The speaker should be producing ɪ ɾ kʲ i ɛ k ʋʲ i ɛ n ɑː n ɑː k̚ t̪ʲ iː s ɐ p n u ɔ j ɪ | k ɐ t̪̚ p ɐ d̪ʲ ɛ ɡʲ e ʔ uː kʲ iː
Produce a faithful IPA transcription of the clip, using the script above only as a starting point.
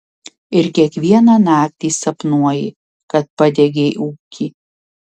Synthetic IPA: ɪ ɾ kʲ i ɛ k ʋʲ i ɛ n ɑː n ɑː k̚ t̪ʲ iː s ɐ p n u ɔ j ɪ | k ɐ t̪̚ p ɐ d̪ʲ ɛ ɡʲ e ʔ uː kʲ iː